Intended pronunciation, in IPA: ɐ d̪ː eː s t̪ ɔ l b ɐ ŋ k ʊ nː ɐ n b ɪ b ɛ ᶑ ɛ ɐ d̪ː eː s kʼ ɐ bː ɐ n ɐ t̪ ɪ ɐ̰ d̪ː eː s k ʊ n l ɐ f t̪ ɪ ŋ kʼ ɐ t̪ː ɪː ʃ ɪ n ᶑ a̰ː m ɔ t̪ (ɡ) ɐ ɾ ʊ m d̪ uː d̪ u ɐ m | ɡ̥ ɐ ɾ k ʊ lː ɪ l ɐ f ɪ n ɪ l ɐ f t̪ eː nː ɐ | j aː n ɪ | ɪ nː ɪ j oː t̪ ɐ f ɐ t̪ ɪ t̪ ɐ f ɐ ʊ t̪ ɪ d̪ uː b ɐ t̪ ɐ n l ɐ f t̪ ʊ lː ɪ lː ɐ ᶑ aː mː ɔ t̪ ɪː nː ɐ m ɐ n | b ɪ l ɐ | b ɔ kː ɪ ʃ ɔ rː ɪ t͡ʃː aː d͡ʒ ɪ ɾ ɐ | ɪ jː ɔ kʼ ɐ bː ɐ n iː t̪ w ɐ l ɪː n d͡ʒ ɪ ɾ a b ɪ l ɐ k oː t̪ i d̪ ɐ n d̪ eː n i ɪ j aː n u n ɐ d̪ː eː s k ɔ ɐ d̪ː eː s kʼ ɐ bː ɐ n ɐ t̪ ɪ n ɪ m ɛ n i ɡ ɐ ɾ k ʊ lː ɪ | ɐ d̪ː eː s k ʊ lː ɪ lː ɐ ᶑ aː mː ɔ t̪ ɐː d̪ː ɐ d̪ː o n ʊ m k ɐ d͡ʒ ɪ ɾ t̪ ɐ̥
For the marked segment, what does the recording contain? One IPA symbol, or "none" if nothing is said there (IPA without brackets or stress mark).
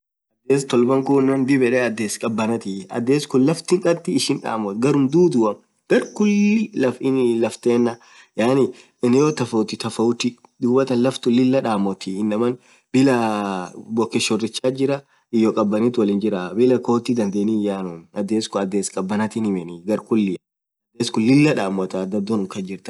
ɡ